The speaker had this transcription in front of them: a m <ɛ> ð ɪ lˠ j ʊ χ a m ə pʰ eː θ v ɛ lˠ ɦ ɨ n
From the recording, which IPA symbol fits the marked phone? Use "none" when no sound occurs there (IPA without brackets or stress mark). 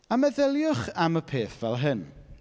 ɛ